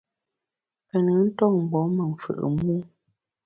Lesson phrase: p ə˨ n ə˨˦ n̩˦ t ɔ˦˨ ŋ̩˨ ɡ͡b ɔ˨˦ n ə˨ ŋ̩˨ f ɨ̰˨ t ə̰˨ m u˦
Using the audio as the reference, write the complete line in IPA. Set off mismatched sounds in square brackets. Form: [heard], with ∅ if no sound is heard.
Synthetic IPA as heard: p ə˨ n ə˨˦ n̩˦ t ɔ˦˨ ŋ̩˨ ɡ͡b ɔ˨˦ [m] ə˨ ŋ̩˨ f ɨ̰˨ [ʔ] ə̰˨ m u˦

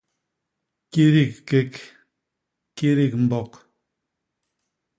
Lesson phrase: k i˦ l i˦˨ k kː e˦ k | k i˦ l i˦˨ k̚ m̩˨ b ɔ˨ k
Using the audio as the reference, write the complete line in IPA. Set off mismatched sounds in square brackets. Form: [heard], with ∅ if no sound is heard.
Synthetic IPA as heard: k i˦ [ɾ] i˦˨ k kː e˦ k | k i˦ [ɾ] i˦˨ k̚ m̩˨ b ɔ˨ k

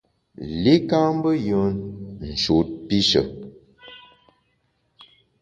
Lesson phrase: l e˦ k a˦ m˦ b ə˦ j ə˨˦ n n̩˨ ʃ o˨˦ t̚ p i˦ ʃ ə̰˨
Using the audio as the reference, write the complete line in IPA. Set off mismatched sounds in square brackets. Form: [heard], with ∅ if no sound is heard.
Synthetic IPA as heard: l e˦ k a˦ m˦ b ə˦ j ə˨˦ n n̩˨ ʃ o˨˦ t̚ p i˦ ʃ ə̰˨

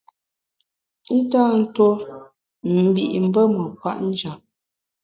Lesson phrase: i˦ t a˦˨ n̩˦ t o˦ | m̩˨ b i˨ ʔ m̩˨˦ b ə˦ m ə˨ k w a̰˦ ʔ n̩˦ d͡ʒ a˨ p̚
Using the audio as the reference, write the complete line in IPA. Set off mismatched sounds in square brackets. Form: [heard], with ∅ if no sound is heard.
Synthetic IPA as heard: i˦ t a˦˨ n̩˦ t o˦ | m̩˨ b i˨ ʔ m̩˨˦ b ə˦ m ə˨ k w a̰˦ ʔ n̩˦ d͡ʒ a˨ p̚

